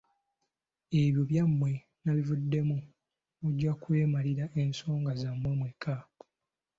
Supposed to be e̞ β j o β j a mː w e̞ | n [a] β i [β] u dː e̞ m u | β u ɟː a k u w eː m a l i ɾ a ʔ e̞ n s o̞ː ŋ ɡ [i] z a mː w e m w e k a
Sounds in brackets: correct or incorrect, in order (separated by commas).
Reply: correct, incorrect, incorrect